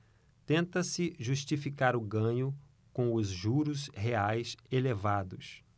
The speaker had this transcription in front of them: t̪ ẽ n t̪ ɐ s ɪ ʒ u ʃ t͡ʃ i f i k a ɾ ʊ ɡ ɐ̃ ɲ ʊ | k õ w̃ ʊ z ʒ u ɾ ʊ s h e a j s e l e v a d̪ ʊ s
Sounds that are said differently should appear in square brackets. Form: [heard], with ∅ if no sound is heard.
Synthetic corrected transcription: t̪ ẽ n t̪ ɐ s ɪ ʒ u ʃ t͡ʃ i f i k a ɾ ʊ ɡ ɐ̃ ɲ ʊ | k õ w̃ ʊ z ʒ u ɾ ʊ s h e a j s e l e v a d̪ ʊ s